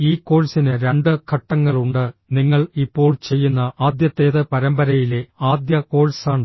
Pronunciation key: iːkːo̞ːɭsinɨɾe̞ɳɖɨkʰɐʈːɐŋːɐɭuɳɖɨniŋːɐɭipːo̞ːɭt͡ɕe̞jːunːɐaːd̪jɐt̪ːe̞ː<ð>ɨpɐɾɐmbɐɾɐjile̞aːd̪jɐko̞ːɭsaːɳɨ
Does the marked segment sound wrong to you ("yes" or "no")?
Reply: no